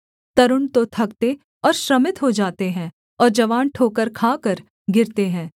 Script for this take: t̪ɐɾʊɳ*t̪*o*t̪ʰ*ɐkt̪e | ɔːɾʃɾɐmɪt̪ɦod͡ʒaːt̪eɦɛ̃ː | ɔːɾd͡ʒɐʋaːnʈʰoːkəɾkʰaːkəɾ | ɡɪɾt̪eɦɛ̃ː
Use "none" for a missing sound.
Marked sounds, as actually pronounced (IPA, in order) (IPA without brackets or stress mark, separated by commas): t̪, t̪ʰ